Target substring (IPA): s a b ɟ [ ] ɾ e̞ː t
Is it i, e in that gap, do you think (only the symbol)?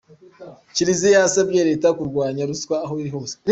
e